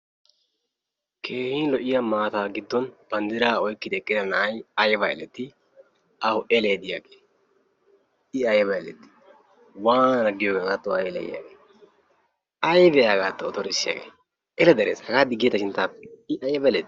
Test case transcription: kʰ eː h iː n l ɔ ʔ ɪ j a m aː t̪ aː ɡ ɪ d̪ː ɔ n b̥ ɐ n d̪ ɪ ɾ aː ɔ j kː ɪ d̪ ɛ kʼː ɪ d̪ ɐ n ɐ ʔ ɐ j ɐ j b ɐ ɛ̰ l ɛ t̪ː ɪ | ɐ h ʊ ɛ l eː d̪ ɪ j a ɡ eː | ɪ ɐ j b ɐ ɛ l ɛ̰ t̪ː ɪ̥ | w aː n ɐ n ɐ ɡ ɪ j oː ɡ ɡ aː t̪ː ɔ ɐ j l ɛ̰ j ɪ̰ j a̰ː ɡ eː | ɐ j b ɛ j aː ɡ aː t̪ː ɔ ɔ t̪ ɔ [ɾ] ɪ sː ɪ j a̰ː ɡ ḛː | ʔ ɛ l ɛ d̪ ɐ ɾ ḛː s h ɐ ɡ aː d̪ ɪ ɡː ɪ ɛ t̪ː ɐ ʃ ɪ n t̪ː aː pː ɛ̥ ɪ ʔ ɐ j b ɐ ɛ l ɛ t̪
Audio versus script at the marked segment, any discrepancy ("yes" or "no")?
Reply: no